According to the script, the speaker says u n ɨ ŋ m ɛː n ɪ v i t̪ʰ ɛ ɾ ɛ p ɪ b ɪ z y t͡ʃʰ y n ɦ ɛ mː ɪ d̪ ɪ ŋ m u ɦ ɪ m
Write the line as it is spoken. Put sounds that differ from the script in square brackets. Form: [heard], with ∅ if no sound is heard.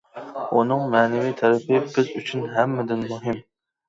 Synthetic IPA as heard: u n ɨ ŋ m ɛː n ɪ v i t̪ʰ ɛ ɾ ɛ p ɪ b ɪ z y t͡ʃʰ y n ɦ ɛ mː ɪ d̪ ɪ [n] m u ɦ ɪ m

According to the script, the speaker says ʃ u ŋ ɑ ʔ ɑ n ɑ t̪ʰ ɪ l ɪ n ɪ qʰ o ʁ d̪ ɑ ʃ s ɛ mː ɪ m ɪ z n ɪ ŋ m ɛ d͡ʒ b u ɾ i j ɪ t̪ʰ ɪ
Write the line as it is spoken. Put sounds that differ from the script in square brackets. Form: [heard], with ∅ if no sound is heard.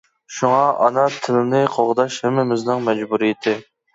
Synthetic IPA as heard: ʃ u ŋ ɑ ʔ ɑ n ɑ t̪ʰ ɪ l ɪ n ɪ qʰ o ʁ d̪ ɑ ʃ [h] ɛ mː ɪ m ɪ z n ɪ ŋ m ɛ d͡ʒ b u ɾ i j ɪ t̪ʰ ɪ

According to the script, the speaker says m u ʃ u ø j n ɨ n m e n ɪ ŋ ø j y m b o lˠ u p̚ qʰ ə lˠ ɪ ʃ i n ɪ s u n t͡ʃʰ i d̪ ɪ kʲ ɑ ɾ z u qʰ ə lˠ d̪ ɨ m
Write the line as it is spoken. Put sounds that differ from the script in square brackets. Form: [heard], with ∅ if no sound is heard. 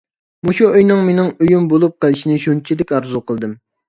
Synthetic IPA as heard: m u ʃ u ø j n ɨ [ŋ] m e n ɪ ŋ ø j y m b o lˠ u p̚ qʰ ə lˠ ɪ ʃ i n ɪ [ʃ] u n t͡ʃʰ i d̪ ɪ kʲ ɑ ɾ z u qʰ ə lˠ d̪ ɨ m

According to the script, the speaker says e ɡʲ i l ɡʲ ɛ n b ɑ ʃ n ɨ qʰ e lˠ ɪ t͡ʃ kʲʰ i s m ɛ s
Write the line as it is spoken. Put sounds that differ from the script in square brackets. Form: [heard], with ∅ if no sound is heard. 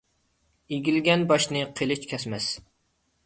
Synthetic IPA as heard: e ɡʲ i l ɡʲ ɛ n b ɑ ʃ n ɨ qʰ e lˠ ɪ t͡ʃ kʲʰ [ɛ] s m ɛ s

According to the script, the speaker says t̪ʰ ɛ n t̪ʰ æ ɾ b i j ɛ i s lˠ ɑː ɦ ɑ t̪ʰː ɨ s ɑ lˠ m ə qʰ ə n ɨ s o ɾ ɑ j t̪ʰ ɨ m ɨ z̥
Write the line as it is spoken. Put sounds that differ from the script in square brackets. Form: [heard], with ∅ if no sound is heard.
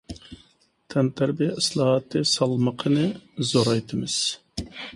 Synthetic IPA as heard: t̪ʰ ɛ n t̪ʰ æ ɾ b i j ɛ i s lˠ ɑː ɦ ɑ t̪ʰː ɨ s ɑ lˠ m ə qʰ ə n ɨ [z] o ɾ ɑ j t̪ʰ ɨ m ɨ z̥

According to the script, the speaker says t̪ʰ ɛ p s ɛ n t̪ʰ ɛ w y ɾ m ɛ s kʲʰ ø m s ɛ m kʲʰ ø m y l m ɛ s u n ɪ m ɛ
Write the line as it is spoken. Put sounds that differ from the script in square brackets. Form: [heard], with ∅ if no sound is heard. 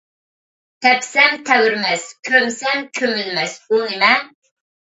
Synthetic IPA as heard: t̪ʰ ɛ p s ɛ [m] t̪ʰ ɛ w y ɾ m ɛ s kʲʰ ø m s ɛ m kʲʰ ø m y l m ɛ s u n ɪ m ɛ

